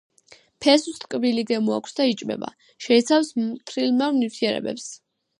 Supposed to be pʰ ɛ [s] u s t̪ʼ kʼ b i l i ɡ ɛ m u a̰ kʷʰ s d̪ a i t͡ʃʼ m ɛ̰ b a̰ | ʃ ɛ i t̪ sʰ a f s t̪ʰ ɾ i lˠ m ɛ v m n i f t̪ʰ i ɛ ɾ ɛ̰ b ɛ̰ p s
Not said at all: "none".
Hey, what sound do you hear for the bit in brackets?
s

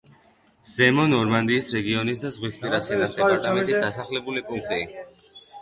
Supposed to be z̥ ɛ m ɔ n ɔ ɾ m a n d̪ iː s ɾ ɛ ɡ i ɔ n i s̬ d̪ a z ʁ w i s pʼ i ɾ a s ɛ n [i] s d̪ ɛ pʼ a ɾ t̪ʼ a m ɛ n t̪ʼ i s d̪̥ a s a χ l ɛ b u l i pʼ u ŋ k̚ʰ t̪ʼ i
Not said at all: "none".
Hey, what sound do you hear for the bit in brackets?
a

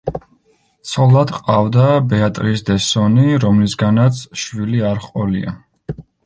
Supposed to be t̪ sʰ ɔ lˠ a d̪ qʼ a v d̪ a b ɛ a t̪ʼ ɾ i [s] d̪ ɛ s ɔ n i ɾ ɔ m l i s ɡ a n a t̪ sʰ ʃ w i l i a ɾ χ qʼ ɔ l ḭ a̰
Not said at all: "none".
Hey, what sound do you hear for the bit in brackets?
s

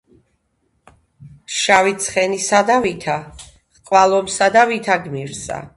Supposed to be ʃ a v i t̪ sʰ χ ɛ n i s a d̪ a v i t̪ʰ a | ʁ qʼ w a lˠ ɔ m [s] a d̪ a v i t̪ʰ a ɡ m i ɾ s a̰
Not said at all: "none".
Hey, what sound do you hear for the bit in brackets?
s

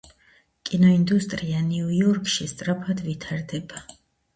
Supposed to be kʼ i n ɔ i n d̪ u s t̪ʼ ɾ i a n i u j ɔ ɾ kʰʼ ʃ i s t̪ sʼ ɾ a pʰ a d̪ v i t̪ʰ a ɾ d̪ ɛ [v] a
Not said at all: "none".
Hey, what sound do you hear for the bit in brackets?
b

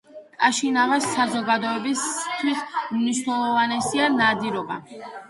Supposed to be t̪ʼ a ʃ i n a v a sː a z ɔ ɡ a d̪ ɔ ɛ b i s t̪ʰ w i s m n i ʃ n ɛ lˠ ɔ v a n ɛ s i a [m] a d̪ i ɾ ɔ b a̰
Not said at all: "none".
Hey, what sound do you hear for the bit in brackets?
n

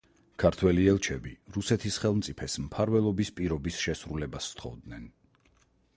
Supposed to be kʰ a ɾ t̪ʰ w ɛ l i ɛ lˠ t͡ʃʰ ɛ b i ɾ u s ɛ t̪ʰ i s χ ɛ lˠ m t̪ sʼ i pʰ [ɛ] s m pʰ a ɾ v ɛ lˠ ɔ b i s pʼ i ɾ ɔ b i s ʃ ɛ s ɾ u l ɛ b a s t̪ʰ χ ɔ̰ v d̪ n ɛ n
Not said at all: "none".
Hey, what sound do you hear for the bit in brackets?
ɛ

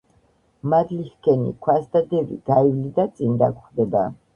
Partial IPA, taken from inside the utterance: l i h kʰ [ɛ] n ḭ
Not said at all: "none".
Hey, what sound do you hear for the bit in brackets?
ɛ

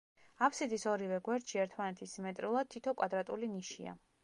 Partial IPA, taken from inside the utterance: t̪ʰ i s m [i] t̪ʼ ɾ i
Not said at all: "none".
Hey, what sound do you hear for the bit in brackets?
ɛ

